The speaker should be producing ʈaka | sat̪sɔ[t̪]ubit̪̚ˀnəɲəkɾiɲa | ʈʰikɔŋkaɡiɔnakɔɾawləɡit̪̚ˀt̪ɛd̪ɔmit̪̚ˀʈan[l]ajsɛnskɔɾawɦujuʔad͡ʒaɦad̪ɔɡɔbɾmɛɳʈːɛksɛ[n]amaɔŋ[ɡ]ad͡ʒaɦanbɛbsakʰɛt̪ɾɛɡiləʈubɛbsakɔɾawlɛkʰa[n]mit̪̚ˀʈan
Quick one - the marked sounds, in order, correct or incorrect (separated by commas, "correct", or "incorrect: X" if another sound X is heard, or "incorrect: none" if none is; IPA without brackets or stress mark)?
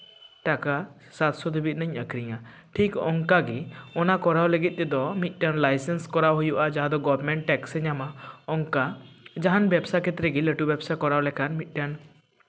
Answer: incorrect: d̪, correct, incorrect: ɲ, incorrect: k, correct